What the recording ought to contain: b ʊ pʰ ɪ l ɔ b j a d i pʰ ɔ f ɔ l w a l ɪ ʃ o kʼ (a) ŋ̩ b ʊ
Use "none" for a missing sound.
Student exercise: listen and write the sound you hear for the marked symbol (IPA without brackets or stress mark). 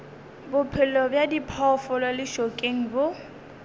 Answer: e